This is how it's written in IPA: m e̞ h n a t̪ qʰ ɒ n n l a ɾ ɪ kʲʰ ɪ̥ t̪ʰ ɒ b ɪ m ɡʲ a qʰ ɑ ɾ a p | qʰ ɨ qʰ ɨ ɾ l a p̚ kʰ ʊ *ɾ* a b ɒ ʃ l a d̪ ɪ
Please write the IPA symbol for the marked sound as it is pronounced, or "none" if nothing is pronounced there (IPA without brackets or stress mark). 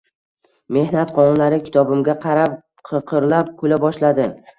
l